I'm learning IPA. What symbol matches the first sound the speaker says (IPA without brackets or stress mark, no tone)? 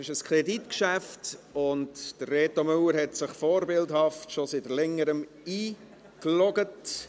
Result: ɪ